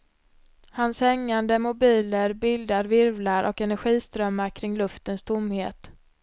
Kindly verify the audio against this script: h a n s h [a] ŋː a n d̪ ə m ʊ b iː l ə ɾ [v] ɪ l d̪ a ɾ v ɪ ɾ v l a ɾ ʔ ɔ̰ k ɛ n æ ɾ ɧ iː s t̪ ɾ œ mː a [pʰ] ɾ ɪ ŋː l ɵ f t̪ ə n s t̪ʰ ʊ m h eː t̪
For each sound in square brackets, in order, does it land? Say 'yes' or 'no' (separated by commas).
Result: no, no, no